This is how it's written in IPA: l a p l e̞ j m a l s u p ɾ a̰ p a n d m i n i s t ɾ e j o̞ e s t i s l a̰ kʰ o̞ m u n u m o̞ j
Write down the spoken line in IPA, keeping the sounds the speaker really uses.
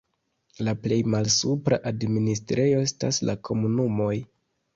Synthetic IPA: l a p l e̞ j m a l s u p ɾ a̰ ʔ a d m i n i s t ɾ e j o̞ e s t a s l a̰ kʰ o̞ m u n u m o̞ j